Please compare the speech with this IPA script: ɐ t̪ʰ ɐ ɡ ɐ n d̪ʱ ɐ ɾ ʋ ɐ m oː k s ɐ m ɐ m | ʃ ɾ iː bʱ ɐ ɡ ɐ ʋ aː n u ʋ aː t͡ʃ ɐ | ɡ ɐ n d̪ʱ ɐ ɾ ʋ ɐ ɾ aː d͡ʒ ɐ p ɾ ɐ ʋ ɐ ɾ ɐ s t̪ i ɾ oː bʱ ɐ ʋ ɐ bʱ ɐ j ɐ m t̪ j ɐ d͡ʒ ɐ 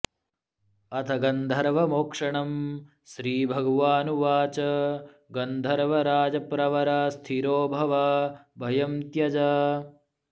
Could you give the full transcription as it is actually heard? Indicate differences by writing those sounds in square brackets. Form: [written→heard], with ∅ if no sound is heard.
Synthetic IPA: ɐ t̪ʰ ɐ ɡ ɐ n d̪ʱ ɐ ɾ ʋ ɐ m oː k [s→ʂ] ɐ [m→ɳ] ɐ m | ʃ ɾ iː bʱ ɐ ɡ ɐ ʋ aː n u ʋ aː t͡ʃ ɐ | ɡ ɐ n d̪ʱ ɐ ɾ ʋ ɐ ɾ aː d͡ʒ ɐ p ɾ ɐ ʋ ɐ ɾ ɐ s [t̪→t̪ʰ] i ɾ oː bʱ ɐ ʋ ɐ bʱ ɐ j ɐ m t̪ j ɐ d͡ʒ ɐ